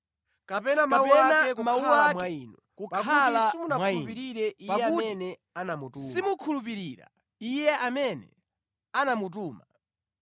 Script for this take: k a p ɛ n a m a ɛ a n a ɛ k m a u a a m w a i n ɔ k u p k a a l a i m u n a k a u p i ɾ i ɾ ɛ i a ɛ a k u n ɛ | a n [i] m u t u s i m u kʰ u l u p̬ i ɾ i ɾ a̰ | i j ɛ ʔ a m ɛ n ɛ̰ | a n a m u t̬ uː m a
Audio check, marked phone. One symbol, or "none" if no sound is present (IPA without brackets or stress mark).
a